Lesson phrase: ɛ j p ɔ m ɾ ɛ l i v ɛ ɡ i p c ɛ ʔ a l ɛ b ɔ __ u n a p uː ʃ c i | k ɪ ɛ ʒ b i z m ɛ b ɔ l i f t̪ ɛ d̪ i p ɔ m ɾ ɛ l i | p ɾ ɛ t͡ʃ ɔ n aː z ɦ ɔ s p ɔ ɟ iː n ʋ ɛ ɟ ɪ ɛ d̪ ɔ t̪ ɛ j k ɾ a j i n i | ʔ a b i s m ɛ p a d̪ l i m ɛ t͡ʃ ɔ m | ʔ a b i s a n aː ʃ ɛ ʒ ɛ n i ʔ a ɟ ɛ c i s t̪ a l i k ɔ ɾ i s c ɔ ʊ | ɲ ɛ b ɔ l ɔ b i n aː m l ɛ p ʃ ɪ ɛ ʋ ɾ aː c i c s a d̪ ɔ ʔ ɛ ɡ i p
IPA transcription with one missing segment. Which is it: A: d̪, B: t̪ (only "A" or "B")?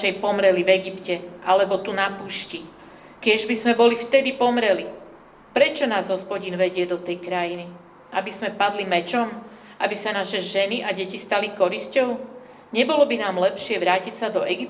B